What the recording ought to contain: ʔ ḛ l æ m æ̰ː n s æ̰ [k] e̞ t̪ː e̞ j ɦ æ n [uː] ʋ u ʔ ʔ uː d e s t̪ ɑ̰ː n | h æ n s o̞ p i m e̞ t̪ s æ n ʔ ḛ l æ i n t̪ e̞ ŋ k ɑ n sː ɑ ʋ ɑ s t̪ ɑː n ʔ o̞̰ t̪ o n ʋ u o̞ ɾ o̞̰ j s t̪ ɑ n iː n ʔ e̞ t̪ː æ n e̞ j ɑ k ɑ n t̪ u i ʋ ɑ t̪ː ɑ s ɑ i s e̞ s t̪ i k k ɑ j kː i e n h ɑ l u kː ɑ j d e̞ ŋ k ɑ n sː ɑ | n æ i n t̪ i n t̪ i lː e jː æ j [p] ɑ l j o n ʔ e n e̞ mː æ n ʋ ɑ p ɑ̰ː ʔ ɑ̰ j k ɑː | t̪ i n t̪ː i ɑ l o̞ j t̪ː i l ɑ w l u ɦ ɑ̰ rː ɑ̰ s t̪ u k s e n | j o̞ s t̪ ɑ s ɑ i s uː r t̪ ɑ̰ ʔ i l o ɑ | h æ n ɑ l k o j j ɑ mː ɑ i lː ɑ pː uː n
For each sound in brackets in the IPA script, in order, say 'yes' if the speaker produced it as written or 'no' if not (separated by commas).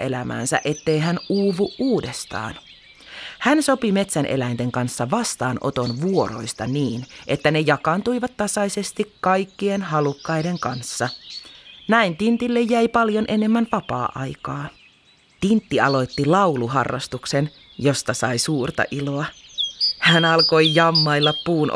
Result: no, yes, yes